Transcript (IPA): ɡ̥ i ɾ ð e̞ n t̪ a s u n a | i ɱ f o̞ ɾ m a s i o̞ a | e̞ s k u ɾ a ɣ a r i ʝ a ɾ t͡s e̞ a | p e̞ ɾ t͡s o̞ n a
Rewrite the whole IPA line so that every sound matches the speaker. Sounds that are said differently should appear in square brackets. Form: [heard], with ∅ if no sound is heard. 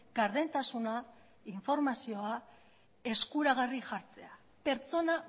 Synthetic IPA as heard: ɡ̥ [a] ɾ ð e̞ n t̪ a s u n a | i ɱ f o̞ ɾ m a s i o̞ a | e̞ s k u ɾ a ɣ a r i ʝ a ɾ t͡s e̞ a | p e̞ ɾ t͡s o̞ n a